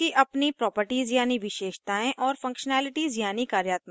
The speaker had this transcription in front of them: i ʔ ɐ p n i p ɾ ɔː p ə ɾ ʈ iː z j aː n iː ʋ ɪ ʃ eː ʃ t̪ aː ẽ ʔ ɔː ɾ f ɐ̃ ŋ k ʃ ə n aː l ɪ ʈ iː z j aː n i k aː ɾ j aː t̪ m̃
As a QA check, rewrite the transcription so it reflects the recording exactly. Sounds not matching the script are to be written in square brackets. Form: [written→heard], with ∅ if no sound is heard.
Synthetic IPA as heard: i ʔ ɐ p n i p ɾ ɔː p ə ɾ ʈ iː z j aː n [iː→i] ʋ ɪ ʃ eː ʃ t̪ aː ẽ ʔ ɔː ɾ f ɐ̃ ŋ k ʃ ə n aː l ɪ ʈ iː z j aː n i k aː ɾ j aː t̪ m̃